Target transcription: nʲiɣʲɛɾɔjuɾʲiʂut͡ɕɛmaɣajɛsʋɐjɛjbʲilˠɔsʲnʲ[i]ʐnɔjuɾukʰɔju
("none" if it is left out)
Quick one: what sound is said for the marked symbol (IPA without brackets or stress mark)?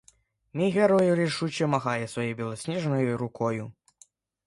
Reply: ɛ